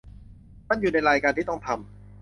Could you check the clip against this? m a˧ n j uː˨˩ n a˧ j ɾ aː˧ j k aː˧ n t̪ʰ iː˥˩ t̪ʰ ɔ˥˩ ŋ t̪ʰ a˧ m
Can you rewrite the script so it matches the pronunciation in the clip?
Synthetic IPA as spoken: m a˥˨ n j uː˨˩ n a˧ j ɾ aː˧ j k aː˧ n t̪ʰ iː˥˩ t̪ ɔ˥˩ ŋ t̪ʰ a˧ m